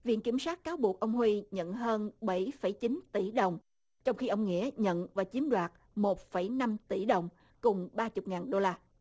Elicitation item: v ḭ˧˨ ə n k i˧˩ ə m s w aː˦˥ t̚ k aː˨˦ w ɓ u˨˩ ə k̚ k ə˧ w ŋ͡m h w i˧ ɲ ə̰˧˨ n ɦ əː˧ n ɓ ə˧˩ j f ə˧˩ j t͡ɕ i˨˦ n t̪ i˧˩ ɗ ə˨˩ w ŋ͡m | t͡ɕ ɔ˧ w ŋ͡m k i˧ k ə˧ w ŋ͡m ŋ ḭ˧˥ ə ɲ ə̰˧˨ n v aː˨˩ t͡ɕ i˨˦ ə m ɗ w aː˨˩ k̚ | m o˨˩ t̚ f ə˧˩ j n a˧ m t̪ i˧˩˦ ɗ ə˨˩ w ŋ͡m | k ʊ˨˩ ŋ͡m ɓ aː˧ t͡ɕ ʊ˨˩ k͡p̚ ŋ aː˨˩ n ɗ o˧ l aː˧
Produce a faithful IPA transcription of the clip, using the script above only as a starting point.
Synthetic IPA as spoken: v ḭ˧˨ ə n k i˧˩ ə m s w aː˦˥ t̚ k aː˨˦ w ɓ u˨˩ ə k̚ ʔ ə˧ w ŋ͡m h w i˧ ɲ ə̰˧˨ n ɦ əː˧ n ɓ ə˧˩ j f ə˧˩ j t͡ɕ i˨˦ n t̪ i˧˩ ɗ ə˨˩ w ŋ͡m | t͡ɕ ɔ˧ w ŋ͡m x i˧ ʔ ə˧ w ŋ͡m ŋ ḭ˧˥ ə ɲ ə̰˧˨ n v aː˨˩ t͡ɕ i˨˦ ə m ɗ w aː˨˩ t̚ | m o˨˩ t̚ f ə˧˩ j n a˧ m t̪ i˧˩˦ ɗ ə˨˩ w ŋ͡m | k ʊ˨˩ ŋ͡m ɓ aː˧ t͡ɕ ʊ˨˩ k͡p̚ ŋ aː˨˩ n ɗ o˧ l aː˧